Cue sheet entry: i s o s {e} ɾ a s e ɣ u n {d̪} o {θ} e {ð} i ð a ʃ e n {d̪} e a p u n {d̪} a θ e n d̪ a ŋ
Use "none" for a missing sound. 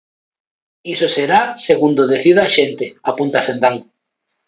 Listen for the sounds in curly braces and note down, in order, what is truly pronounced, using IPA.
e, d̪, ð, θ, t̪, t̪

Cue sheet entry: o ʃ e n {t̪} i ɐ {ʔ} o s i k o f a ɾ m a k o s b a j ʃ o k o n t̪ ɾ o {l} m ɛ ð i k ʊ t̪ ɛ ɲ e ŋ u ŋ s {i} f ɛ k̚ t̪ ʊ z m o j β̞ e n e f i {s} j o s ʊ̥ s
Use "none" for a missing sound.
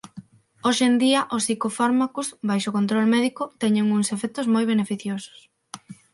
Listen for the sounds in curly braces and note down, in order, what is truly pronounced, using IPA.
d̪, ʔ, l, e, θ

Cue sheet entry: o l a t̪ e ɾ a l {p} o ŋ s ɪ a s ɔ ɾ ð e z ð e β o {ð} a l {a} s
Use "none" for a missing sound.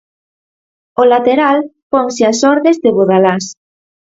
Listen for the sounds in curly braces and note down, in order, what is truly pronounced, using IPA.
p, ð, a

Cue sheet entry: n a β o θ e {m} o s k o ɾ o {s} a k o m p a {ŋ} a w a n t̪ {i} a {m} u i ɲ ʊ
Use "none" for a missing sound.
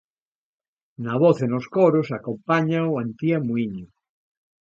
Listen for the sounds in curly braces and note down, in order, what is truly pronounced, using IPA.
n, s, ɲ, i, m

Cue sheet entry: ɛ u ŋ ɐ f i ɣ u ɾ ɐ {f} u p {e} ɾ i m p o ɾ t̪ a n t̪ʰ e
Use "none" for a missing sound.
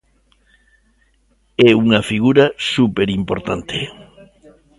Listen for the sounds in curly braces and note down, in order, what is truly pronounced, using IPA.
s, e

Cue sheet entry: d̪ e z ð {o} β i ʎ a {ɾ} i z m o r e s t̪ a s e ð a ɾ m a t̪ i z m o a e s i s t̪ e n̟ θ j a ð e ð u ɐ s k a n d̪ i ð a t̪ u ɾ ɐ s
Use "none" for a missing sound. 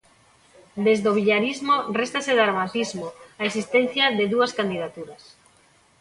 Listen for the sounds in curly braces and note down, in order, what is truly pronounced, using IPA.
o, ɾ

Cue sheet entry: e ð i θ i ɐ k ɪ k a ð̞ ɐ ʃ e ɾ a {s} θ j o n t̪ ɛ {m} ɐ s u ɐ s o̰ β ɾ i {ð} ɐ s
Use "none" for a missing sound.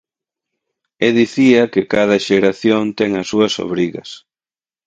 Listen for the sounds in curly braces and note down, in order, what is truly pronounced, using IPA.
none, ŋ, ɣ

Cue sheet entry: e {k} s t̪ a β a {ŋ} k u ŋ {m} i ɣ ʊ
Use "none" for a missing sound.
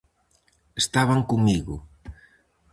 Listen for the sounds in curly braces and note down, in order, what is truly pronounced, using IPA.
none, ŋ, m

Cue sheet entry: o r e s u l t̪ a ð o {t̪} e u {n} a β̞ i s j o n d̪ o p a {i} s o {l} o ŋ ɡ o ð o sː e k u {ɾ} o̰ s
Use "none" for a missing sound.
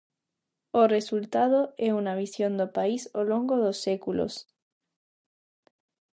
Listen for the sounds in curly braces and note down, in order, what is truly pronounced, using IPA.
none, n, i, l, l

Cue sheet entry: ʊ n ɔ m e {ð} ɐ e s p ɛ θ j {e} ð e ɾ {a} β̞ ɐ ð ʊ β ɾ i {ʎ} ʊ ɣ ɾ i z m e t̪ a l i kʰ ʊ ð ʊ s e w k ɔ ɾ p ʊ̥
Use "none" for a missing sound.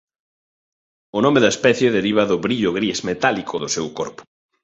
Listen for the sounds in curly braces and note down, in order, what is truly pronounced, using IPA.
ð, e, i, ʎ

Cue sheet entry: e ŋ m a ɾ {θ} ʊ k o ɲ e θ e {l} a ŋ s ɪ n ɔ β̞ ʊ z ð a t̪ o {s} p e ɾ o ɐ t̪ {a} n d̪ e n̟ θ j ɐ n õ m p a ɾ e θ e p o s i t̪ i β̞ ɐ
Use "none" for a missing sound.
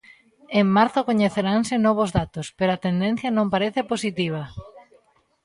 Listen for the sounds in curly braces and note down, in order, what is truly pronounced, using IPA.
θ, ɾ, s, e

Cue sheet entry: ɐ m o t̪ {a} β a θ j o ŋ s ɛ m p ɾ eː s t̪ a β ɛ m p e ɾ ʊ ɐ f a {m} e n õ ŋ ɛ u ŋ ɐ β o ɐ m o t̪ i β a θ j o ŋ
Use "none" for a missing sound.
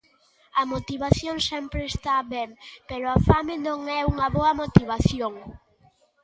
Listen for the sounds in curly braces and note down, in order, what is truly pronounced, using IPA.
i, m

